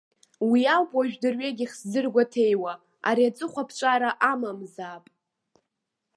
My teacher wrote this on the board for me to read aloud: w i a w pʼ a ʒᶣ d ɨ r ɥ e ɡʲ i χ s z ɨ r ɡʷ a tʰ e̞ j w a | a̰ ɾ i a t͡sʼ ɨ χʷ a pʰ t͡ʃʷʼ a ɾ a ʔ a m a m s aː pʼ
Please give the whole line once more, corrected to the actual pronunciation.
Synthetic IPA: w i a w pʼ a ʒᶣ d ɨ r ɥ e ɡʲ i χ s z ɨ r ɡʷ a tʰ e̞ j w a | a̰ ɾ i a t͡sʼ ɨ χʷ a pʰ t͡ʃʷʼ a ɾ a ʔ a m a m z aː pʼ